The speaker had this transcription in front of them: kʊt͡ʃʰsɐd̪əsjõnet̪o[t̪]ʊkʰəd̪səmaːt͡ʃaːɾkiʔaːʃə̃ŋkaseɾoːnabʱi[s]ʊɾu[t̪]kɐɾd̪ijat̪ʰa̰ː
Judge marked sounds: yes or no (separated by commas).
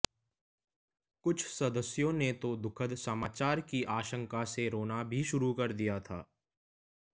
no, no, no